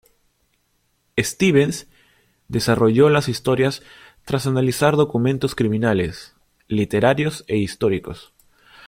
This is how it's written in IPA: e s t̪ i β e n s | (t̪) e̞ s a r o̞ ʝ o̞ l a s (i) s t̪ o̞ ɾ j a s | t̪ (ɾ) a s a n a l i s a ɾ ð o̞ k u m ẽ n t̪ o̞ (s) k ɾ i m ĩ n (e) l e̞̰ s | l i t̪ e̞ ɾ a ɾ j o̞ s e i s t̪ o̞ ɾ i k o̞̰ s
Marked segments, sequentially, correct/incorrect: incorrect, correct, correct, correct, incorrect

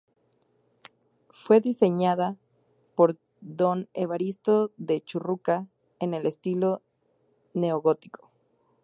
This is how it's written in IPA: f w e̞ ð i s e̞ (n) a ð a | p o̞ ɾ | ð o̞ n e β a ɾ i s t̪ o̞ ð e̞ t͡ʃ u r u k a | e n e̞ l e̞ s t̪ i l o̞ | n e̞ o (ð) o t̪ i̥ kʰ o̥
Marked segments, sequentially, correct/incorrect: incorrect, incorrect

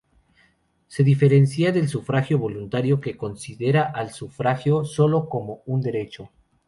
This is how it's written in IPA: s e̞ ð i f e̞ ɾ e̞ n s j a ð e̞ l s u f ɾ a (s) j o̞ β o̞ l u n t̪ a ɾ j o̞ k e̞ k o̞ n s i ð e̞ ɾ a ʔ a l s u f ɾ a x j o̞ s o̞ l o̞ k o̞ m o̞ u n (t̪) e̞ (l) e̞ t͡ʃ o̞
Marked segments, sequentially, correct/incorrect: incorrect, incorrect, incorrect

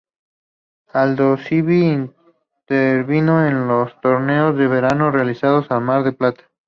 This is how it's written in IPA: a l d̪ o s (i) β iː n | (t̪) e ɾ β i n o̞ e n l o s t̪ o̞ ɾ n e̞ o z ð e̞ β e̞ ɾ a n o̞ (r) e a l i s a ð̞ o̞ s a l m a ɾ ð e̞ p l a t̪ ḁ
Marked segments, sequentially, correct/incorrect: correct, correct, correct

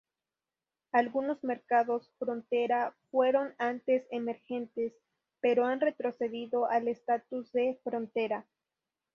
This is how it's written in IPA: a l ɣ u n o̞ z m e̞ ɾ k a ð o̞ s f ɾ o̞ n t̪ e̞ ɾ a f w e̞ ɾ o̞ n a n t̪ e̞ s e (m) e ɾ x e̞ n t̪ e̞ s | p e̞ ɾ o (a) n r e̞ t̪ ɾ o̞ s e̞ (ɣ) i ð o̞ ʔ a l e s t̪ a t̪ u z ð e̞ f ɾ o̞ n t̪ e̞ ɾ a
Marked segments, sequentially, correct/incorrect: correct, correct, incorrect

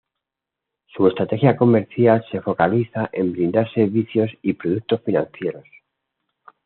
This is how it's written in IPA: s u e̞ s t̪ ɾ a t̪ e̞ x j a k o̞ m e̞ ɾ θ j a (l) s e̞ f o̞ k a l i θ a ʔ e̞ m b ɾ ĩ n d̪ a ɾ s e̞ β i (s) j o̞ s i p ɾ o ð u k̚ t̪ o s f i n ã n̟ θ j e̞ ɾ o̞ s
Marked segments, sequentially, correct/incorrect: correct, incorrect

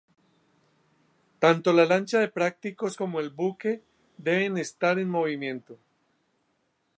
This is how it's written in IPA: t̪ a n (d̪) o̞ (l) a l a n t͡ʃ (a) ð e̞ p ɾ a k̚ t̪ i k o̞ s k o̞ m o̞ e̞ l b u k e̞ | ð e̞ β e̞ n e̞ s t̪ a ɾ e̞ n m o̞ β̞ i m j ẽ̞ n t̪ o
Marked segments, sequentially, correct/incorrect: incorrect, correct, correct

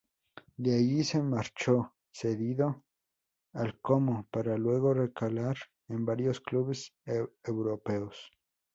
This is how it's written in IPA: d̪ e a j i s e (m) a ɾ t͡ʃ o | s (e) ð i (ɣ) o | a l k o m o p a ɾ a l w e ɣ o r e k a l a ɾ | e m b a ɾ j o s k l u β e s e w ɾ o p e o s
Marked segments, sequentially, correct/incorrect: correct, correct, incorrect

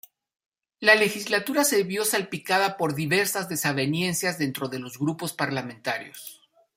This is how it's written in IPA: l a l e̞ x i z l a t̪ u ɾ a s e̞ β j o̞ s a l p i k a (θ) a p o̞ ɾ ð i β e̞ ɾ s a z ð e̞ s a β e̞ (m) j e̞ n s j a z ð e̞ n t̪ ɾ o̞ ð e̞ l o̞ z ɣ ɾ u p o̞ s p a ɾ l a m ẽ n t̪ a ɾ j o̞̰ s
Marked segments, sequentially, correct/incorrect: incorrect, incorrect

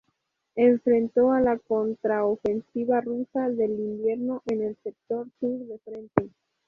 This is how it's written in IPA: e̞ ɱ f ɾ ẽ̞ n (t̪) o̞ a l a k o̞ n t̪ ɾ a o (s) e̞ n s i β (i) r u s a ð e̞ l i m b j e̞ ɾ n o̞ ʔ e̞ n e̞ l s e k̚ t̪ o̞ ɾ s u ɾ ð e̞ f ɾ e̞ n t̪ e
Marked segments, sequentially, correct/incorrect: correct, incorrect, incorrect

